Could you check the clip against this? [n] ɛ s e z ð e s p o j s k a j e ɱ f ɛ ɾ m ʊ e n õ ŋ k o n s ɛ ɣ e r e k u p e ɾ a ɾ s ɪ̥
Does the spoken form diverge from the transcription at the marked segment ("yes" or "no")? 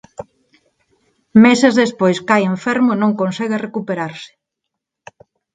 yes